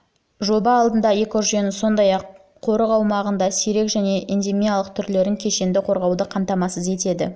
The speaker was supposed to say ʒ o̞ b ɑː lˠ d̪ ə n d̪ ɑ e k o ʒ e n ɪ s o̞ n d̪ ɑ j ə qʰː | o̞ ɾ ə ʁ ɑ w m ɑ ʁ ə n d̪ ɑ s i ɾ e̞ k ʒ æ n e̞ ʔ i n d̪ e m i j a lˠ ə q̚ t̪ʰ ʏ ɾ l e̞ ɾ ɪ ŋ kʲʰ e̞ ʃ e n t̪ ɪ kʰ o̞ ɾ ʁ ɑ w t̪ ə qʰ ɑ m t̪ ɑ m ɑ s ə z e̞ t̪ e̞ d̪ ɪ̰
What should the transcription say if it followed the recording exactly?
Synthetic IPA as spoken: ʒ o̞ b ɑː lˠ d̪ ə n d̪ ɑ e k o ʒ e n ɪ s o̞ n d̪ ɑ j ɑ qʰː | o̞ ɾ ə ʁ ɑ w m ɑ ʁ ə n d̪ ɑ s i ɾ e̞ k ʒ æ n e̞ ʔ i n d̪ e m i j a lˠ ə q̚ t̪ʰ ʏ ɾ l e̞ ɾ ɪ ŋ kʲʰ e̞ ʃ e n d̪ ɪ qʰ o̞ ɾ ʁ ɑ w d̪ ə qʰ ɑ m t̪ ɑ m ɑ s ə z e̞ t̪ e̞ d̪ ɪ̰